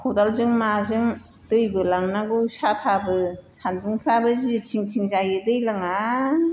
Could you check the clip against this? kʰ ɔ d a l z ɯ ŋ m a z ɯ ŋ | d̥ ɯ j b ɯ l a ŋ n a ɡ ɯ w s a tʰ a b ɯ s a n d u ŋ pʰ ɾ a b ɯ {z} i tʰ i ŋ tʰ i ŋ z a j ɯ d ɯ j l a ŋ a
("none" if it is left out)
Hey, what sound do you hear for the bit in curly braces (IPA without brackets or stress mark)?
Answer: z